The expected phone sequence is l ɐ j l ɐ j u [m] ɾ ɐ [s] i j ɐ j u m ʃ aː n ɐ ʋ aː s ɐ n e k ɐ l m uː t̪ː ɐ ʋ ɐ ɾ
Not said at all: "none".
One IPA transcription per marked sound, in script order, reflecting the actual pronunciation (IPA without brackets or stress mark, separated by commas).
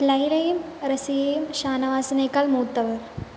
m, s